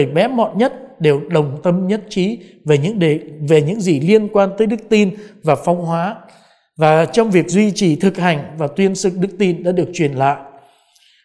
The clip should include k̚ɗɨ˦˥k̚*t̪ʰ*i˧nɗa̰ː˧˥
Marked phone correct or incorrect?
incorrect